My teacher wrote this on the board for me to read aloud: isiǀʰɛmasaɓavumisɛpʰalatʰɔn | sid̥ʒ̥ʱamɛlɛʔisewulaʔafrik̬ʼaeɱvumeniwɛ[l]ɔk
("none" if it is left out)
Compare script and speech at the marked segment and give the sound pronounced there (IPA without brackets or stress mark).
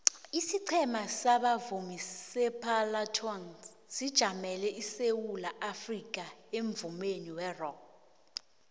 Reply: r